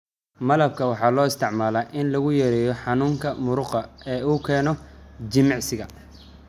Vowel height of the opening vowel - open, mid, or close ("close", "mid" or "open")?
open